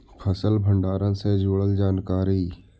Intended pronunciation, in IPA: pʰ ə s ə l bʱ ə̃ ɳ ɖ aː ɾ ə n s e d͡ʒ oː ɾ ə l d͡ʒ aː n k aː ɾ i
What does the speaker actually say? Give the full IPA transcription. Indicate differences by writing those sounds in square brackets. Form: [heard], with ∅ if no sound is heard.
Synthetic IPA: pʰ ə s ə l bʱ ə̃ ɳ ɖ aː ɾ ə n s e d͡ʒ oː [ɽ] ə l d͡ʒ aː n k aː ɾ i